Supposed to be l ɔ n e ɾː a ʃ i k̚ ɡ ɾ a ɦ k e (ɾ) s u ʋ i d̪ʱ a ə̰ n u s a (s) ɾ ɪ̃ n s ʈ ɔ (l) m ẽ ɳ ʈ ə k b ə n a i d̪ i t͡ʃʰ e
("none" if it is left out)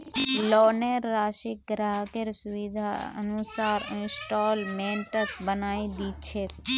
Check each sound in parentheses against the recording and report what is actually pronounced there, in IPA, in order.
ɾ, none, l

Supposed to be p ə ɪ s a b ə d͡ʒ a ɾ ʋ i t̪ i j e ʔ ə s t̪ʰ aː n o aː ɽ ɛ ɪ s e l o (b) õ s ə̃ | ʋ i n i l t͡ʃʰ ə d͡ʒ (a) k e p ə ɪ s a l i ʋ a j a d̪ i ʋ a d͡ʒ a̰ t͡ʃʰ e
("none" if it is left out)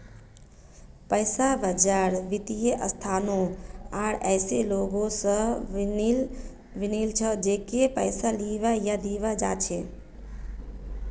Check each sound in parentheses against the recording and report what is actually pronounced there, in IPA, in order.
ɡ, e

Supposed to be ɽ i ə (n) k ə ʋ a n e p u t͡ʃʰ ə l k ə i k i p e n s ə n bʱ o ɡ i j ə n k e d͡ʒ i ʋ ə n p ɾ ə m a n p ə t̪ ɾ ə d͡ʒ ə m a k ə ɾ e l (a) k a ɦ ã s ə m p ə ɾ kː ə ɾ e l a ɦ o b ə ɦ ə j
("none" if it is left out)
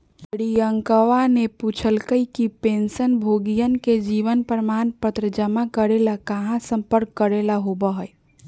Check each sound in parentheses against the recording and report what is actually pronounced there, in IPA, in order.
ŋ, a

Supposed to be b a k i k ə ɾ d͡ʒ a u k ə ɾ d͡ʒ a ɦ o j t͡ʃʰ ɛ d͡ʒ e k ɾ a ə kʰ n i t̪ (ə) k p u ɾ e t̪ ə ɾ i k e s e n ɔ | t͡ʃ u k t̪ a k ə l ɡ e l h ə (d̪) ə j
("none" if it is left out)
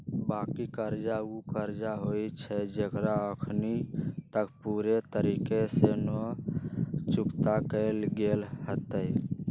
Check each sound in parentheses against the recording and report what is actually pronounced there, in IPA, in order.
ə, t̪

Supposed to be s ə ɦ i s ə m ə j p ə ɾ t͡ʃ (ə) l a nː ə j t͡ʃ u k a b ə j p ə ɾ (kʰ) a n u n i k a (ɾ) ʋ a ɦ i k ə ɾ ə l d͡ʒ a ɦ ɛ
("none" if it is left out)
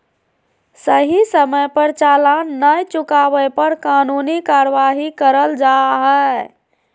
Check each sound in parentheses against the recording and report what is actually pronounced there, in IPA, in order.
a, k, ɾ

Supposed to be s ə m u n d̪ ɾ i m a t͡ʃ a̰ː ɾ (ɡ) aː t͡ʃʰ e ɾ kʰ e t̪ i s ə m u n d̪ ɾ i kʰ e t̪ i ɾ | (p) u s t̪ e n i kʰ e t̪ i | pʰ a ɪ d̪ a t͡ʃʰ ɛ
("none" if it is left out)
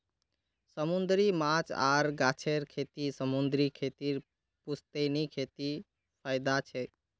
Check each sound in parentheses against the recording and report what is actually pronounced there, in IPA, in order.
ɡ, p

